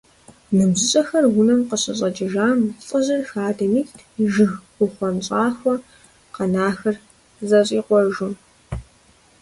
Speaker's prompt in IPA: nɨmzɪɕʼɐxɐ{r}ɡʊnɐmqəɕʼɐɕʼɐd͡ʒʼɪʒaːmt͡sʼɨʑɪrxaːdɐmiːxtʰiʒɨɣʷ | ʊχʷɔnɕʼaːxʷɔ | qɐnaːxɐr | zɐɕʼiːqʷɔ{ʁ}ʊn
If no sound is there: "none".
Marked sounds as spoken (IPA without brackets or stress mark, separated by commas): r, ʒ